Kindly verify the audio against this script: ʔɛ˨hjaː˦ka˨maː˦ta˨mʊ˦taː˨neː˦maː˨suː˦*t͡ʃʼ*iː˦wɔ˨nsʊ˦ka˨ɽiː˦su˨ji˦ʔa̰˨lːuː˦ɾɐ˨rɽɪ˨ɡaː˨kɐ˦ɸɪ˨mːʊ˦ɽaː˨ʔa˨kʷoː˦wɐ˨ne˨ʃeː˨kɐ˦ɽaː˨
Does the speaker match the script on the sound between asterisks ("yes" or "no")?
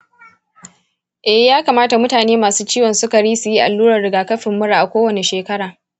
no